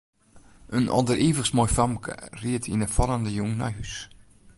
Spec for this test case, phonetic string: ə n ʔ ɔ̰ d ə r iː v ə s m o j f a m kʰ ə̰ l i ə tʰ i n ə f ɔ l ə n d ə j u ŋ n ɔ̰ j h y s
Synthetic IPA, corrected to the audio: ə n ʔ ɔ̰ d ə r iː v ə s m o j f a m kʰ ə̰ r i ə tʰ i n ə f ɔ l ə n d ə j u ŋ n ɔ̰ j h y s